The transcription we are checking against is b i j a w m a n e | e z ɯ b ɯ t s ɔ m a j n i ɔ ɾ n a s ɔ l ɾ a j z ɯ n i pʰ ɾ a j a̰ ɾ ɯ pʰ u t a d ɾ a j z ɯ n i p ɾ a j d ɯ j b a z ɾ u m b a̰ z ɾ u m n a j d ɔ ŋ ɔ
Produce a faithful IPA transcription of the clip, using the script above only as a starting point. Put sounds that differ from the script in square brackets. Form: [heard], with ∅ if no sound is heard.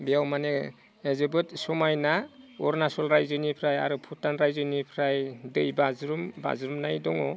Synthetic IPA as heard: b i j a w m a n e | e z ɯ b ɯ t s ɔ m a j n [a] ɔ ɾ n a s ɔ l ɾ a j z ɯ n i pʰ ɾ a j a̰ ɾ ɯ pʰ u t a [n] ɾ a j z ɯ n i [pʰ] ɾ a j d ɯ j b a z ɾ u m b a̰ z ɾ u m n a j d ɔ ŋ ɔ

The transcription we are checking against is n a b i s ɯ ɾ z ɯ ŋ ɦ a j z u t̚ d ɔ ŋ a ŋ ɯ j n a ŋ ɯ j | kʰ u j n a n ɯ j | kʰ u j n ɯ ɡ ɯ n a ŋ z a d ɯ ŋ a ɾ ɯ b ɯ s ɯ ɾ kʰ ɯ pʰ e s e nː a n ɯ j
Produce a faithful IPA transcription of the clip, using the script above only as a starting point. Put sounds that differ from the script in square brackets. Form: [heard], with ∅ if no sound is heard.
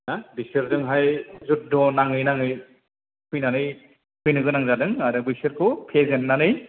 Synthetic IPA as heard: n a b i s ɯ ɾ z ɯ ŋ ɦ a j z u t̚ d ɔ [n] a ŋ ɯ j n a ŋ ɯ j | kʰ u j n a n ɯ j | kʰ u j n ɯ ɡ ɯ n a ŋ z a d ɯ ŋ a ɾ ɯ b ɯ s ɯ ɾ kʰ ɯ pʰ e [z] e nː a n ɯ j

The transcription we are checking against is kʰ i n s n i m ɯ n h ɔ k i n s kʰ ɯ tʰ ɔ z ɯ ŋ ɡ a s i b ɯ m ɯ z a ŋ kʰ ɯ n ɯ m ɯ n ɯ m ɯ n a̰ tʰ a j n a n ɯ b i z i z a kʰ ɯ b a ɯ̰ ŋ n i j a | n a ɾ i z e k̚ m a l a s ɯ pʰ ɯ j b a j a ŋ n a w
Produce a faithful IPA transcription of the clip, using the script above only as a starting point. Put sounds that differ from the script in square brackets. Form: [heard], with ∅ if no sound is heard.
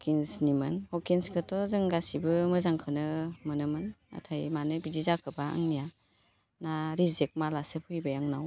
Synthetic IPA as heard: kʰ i n s n i m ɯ n h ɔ k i n s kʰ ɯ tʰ ɔ z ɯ ŋ ɡ a s i b ɯ m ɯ z a ŋ kʰ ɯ n ɯ m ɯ n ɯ m ɯ n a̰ tʰ a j [m] a n ɯ b i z i z a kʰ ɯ b a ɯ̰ ŋ n i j a | n a ɾ i z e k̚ m a l a s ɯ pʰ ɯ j b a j a ŋ n a w

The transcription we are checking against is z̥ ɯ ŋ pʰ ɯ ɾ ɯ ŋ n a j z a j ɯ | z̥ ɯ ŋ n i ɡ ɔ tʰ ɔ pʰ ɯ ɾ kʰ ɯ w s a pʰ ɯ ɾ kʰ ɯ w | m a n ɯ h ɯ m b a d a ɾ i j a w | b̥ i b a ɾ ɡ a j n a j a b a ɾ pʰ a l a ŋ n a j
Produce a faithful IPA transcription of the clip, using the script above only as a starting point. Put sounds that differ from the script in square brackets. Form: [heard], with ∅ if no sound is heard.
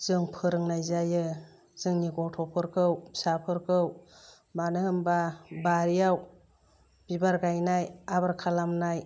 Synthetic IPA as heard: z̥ ɯ ŋ pʰ ɯ ɾ ɯ ŋ n a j z a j ɯ | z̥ ɯ ŋ n i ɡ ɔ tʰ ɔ pʰ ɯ ɾ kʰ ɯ w s a pʰ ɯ ɾ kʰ ɯ w | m a n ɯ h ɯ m b a [b] a ɾ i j a w | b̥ i b a ɾ ɡ a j n a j a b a ɾ [kʰ] a l a [m] n a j

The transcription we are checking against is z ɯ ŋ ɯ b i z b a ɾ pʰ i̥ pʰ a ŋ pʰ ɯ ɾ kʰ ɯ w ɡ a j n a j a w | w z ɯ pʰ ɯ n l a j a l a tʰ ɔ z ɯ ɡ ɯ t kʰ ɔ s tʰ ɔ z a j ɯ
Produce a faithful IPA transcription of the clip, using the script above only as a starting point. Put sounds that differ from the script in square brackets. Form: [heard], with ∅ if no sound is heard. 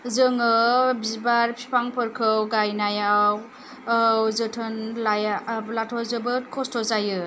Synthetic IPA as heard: z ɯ ŋ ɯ b i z b a ɾ pʰ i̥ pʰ a ŋ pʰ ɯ ɾ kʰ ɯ w ɡ a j n a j a w | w z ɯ [tʰ] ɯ n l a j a l a tʰ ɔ z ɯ [b] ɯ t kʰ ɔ s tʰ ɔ z a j ɯ

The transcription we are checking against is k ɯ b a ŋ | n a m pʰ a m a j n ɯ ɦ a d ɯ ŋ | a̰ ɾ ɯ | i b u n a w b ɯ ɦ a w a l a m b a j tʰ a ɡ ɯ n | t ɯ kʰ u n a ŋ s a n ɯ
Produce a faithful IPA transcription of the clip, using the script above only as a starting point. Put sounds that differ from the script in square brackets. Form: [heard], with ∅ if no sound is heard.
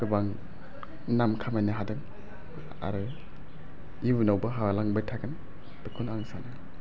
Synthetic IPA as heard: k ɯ b a ŋ | n a m [kʰ] a m a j n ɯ ɦ a d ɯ ŋ | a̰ ɾ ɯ | i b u n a w b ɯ ɦ a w a l a [ŋ] b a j tʰ a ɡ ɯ n | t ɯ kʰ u n a ŋ s a n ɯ

